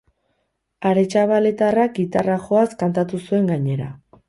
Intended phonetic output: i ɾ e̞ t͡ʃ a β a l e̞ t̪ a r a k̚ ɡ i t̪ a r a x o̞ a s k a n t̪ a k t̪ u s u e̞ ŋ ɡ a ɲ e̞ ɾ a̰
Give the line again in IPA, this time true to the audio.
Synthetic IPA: a ɾ e̞ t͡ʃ a β a l e̞ t̪ a r a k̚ ɡ i t̪ a r a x o̞ a s k a n t̪ a t̪ u s u e̞ ŋ ɡ a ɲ e̞ ɾ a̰